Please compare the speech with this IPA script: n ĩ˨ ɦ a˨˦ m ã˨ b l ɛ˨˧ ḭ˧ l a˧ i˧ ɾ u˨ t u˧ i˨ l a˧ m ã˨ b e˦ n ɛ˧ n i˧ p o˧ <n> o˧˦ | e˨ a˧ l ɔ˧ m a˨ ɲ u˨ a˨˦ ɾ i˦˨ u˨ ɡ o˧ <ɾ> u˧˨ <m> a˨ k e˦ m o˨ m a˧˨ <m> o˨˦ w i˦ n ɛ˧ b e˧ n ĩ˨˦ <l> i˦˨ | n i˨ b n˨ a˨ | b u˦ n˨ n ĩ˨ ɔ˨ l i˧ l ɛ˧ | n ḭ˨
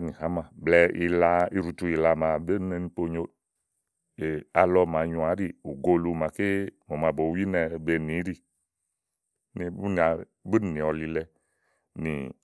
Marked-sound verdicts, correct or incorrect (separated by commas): incorrect, incorrect, correct, incorrect, incorrect